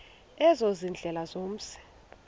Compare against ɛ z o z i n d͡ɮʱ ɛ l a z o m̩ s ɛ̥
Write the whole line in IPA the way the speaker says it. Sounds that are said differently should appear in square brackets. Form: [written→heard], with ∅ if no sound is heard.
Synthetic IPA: ɛ z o z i n d͡ɮʱ ɛ l a z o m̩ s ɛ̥